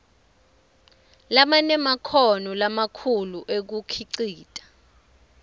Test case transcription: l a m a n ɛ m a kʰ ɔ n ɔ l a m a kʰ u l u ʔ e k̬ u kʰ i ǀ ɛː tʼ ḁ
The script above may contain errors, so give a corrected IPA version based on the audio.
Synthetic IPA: l a m a n ɛ m a kʰ ɔ n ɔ l a m a kʰ u l u ʔ e k̬ u kʰ i ǀ iː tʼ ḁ